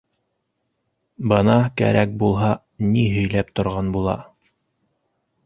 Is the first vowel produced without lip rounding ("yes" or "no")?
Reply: yes